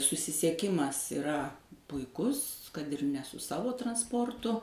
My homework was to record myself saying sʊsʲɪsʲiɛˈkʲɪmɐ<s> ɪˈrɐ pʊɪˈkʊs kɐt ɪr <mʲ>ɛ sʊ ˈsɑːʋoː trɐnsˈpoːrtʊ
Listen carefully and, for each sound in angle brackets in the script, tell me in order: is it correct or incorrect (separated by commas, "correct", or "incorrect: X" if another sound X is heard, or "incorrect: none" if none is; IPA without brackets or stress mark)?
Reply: correct, incorrect: nʲ